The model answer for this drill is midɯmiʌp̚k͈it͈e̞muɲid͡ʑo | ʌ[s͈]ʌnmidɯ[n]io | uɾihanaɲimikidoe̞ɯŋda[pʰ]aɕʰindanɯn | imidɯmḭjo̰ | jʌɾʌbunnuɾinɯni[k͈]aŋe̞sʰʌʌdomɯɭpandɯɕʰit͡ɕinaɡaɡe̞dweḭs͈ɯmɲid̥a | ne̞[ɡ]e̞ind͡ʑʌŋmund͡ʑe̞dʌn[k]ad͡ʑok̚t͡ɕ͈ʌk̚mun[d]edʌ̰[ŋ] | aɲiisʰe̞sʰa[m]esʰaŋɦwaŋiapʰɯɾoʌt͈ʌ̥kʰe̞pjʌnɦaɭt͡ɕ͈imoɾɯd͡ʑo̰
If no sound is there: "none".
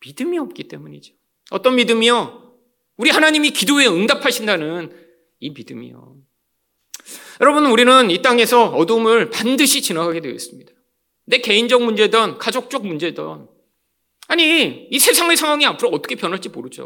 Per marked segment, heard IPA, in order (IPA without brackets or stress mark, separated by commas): t͈, m, pʰ, t͈, k, k, d͡ʑ, n, ŋ